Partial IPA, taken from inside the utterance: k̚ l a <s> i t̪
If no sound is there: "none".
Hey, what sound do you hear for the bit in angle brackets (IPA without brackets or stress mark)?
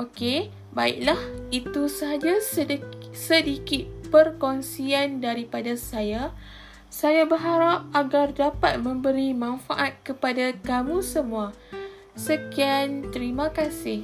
h